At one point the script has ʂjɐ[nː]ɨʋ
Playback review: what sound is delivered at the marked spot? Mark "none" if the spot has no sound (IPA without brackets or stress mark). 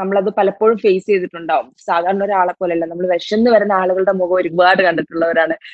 nː